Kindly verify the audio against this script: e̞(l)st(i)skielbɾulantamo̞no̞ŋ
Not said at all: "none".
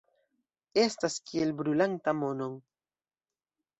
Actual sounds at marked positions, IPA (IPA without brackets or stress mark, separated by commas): none, a